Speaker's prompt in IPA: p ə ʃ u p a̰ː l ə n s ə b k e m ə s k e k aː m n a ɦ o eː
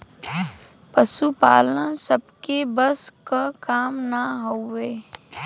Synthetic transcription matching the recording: p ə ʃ u p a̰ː l ə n s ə b k e b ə s k a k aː m n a ɦ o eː